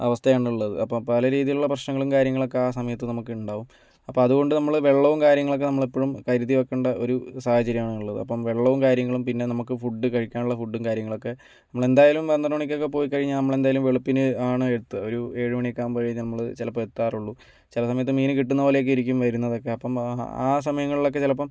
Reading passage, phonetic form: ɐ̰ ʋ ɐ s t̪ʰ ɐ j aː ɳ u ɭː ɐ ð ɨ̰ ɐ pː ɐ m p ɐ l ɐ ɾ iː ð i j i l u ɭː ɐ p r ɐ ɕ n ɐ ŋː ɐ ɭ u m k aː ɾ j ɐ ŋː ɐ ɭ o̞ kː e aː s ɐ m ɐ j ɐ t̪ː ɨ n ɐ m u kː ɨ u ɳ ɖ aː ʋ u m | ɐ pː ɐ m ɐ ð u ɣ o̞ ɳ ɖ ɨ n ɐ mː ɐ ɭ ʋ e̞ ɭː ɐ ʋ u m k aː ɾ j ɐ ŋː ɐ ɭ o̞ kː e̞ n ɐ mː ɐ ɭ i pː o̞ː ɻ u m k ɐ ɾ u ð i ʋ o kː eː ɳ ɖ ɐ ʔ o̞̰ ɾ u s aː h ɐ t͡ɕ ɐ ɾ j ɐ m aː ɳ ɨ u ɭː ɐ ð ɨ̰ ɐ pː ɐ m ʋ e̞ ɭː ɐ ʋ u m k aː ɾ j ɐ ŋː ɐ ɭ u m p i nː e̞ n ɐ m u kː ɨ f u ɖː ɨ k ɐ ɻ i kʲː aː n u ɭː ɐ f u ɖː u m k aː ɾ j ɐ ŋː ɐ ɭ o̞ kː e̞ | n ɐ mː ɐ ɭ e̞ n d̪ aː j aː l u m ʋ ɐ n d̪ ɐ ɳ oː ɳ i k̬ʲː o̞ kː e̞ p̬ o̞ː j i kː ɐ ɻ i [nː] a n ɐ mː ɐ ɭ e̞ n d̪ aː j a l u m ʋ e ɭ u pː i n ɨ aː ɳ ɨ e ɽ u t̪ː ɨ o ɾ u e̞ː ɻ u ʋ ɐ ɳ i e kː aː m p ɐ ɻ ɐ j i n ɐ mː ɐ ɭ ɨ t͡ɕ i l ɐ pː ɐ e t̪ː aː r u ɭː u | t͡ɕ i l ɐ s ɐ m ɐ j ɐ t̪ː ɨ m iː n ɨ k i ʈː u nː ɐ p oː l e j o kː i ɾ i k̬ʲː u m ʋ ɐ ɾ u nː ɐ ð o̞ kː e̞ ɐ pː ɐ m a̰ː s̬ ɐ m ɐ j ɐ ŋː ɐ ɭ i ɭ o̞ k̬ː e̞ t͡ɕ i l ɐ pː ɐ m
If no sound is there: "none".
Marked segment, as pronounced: ɲː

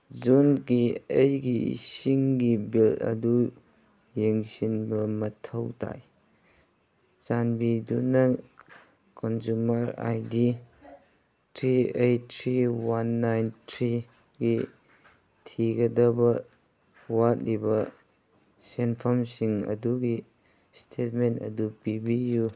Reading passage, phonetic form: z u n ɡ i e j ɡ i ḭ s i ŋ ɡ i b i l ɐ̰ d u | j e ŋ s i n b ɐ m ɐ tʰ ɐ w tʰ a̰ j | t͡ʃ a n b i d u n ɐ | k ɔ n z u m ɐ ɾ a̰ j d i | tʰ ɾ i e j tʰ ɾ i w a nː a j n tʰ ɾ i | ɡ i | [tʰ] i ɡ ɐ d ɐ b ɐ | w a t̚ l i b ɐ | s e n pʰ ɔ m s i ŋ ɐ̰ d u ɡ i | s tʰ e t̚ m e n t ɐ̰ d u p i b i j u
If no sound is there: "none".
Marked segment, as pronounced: tʰ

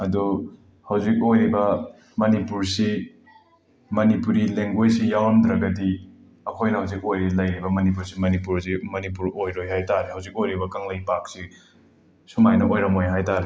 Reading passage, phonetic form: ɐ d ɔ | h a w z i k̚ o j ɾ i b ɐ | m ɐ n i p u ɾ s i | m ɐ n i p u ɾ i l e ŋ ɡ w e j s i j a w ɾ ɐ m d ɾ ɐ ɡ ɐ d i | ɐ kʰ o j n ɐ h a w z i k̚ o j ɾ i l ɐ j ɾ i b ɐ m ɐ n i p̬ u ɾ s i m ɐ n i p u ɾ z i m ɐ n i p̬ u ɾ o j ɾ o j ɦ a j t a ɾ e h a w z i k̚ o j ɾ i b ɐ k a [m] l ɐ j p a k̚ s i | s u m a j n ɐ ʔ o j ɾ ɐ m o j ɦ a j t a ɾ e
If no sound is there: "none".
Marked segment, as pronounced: ŋ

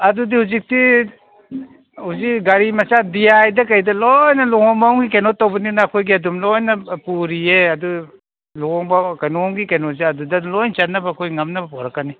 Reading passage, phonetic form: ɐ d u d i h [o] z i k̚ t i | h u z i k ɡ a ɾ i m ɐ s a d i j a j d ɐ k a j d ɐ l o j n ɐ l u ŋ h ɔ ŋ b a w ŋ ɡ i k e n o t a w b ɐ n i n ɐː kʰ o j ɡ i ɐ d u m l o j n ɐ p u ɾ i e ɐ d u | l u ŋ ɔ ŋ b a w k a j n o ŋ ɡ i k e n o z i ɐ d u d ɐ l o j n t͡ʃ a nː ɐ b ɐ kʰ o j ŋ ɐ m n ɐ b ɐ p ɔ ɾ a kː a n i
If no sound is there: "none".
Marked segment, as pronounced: u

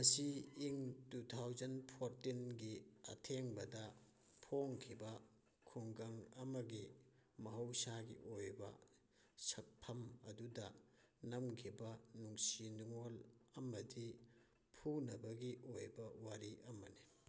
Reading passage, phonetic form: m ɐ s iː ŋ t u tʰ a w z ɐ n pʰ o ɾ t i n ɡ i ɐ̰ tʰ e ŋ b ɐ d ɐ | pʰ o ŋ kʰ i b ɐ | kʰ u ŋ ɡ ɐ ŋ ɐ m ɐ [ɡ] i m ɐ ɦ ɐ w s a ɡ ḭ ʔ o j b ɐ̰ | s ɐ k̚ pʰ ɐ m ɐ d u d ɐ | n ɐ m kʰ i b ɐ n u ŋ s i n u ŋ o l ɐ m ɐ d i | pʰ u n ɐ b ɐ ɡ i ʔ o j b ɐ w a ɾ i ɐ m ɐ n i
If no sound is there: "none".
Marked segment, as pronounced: ɡ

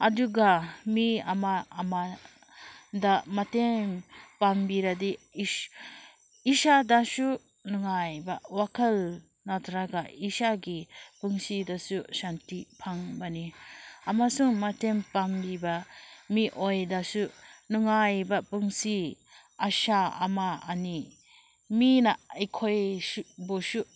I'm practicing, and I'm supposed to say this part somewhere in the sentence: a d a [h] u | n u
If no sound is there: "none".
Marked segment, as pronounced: s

